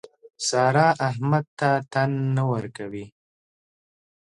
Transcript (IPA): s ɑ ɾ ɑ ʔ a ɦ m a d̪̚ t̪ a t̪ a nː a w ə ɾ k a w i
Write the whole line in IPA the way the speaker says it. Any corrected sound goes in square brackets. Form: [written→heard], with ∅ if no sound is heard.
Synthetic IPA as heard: s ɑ ɾ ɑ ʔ a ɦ m a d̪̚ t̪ a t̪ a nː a w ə ɾ k a w i

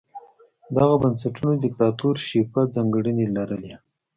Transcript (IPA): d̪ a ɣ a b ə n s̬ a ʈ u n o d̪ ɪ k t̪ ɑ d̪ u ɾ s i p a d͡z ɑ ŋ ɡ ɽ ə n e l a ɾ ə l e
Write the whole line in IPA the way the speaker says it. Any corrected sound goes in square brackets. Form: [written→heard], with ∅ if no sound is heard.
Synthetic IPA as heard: d̪ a ɣ a b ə n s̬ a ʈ u n o d̪ ɪ k t̪ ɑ [d̪→t̪] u ɾ [s→ʃ] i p a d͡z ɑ ŋ ɡ ɽ ə n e l a ɾ ə l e

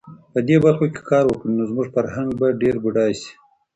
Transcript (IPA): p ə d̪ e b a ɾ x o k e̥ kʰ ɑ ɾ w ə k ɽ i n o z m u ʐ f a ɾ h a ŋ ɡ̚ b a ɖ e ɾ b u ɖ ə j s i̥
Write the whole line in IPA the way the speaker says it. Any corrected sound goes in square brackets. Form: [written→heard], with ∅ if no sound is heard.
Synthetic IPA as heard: p ə d̪ e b a ɾ x o k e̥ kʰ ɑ ɾ w ə k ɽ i n o z m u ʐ f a ɾ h a ŋ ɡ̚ b a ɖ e ɾ b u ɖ [ə→ɑ] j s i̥

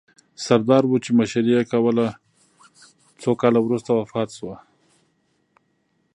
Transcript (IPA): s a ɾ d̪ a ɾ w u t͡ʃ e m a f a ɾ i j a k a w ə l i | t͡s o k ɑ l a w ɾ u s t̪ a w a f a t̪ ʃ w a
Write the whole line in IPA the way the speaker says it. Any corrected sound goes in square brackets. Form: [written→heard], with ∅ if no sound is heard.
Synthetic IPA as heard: s a ɾ d̪ [a→ɑ] ɾ w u t͡ʃ e m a [f→ʃ] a ɾ i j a k a w ə l [i→a] | t͡s o k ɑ l a w ɾ u s t̪ a w a f [a→ɑ] t̪ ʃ w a

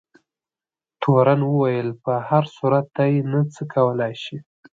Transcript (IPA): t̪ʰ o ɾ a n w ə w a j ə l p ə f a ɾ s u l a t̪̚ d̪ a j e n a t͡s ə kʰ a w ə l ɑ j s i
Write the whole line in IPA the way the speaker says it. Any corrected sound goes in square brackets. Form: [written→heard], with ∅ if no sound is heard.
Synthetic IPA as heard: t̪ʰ o ɾ a n w ə w a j ə l p ə [f→h] a ɾ s u [l→ɾ] a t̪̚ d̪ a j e n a t͡s ə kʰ a w ə l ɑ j [s→ʃ] i

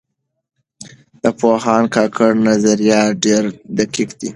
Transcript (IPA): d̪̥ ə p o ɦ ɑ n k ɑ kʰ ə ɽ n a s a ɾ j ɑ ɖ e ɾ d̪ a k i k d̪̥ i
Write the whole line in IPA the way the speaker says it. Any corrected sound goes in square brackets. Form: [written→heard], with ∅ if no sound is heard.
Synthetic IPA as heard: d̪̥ ə p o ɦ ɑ n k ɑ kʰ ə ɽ n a [s→z] a ɾ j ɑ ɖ e ɾ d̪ a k i k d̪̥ i

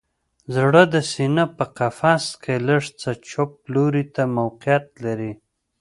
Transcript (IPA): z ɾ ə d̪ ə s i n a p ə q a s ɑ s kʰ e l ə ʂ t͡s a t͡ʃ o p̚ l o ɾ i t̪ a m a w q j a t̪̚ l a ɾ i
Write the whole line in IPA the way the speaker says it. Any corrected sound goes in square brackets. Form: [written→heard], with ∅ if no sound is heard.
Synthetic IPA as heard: z [ɾ→ɽ] ə d̪ ə s i n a p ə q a [s→f] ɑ s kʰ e l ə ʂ t͡s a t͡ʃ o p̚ l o ɾ i t̪ a m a w q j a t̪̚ l a ɾ i

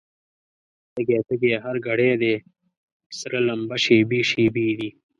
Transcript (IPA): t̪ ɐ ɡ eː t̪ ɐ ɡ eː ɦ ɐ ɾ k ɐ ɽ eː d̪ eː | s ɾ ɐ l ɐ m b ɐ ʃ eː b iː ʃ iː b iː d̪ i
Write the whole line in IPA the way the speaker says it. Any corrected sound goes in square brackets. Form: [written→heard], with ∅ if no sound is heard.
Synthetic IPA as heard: t̪ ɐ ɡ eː t̪ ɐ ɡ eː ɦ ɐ ɾ [k→ɡ] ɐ ɽ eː d̪ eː | s ɾ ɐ l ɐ m b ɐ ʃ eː b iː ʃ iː b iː d̪ i

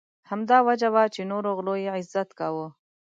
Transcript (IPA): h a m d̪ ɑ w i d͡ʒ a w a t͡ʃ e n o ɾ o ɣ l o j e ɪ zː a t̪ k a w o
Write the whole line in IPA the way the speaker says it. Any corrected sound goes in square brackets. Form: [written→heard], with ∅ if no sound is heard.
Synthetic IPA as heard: h a m d̪ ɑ w [i→a] d͡ʒ a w a t͡ʃ e n o ɾ o ɣ l o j e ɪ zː a t̪ k a w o

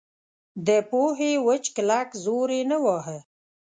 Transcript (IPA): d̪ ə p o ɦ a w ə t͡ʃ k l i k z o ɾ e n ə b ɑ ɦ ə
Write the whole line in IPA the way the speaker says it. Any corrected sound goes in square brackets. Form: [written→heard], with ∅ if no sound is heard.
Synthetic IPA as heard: d̪ ə p o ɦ [a→e] w ə t͡ʃ k l [i→a] k z o ɾ e n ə [b→w] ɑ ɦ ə

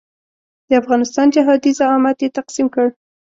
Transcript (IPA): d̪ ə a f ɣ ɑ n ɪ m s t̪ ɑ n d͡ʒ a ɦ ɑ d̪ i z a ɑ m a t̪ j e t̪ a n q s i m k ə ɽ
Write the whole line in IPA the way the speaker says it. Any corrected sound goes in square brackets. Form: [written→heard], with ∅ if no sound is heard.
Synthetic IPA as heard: d̪ ə a f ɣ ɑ n ɪ [m→∅] s t̪ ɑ n d͡ʒ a ɦ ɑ d̪ i z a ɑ m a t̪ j e t̪ a [n→∅] q s i m k ə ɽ

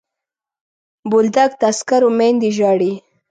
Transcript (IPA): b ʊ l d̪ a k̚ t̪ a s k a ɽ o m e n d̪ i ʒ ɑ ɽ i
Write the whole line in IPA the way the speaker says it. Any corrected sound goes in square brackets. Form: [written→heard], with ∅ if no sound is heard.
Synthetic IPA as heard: b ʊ l d̪ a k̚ t̪ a s k a [ɽ→ɾ] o m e n d̪ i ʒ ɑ ɽ i

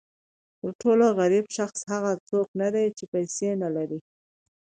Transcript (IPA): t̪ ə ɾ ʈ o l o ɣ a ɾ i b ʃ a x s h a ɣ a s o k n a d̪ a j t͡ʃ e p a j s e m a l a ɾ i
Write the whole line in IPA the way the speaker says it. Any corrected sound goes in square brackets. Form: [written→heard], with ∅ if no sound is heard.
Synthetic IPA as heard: t̪ ə ɾ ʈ o l o ɣ a ɾ i b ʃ a x s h a ɣ a [s→t͡s] o k n a d̪ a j t͡ʃ e p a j s e [m→n] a l a ɾ i

